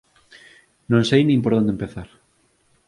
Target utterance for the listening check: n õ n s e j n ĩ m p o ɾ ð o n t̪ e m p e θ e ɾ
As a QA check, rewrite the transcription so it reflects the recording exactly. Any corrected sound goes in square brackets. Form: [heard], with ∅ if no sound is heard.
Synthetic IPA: n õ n s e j n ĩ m p o ɾ ð o n [d̪] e m p e θ [a] ɾ